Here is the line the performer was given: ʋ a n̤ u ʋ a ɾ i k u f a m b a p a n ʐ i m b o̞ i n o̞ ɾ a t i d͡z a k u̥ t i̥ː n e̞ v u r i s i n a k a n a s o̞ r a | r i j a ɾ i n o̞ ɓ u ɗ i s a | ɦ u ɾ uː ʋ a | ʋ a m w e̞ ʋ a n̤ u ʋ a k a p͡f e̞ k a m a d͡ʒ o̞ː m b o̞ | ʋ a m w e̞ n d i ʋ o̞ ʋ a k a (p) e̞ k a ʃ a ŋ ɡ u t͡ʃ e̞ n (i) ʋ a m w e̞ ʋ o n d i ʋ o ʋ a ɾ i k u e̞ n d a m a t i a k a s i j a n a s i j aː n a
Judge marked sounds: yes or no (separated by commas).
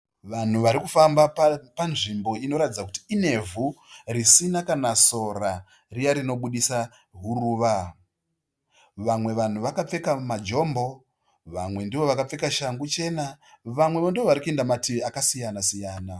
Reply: no, no